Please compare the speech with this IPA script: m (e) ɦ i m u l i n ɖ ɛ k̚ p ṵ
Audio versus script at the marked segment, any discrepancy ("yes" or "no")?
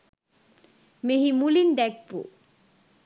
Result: no